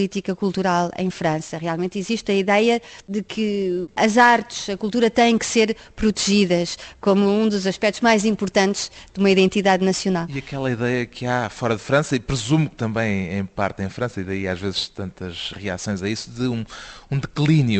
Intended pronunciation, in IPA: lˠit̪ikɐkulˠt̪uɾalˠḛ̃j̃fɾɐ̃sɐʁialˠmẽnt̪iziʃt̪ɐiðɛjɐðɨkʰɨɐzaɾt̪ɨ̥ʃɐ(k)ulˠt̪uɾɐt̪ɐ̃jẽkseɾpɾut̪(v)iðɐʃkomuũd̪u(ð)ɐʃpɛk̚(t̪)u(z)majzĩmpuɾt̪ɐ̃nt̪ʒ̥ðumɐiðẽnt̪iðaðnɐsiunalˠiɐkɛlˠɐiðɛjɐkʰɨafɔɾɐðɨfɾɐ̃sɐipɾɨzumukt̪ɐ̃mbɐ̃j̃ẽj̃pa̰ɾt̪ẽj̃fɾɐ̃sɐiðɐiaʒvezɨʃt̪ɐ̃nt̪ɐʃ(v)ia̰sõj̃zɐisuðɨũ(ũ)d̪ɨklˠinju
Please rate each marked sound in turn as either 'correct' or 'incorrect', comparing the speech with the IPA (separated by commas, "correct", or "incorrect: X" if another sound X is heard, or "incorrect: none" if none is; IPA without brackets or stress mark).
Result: correct, incorrect: ʒ, incorrect: z, correct, incorrect: ʒ, incorrect: ʁ, correct